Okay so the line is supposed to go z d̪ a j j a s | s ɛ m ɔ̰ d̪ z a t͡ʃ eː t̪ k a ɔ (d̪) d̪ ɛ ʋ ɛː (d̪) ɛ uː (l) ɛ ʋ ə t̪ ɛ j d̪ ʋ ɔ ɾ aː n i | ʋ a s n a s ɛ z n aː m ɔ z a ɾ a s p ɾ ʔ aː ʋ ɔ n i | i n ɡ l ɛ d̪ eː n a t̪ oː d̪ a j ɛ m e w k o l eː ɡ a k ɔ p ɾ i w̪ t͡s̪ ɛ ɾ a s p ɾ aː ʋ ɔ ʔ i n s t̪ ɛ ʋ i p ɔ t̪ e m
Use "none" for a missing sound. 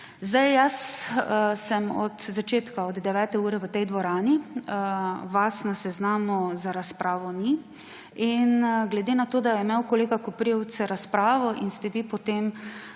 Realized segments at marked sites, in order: d̪, t̪, ɾ

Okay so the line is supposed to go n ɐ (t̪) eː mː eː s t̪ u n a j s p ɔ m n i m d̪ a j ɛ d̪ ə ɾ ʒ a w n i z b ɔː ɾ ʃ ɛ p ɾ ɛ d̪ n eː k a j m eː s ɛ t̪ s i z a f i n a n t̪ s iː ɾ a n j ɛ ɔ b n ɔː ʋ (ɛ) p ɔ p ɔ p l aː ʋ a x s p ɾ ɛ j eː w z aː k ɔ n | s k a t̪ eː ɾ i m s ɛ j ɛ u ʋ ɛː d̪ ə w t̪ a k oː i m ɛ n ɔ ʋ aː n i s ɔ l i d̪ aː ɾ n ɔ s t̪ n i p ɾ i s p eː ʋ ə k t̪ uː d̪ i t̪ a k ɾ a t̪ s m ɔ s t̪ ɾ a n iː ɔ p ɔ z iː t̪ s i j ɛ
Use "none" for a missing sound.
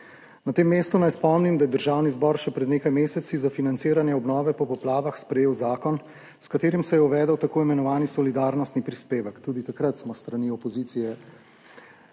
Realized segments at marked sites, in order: t̪, ɛ

